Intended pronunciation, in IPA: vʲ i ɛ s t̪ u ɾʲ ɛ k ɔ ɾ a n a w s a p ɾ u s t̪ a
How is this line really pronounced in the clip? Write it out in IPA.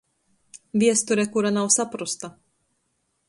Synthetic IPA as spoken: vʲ i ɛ s t̪ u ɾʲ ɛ k u ɾ a n a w s a p ɾ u s t̪ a